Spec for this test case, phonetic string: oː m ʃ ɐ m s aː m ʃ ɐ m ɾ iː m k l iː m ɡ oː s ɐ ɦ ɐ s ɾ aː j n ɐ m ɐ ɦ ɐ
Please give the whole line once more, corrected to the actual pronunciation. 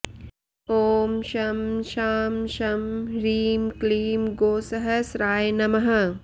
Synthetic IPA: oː m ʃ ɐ m ʃ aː m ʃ ɐ m ɾ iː m k l iː m ɡ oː s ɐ ɦ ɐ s ɾ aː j n ɐ m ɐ ɦ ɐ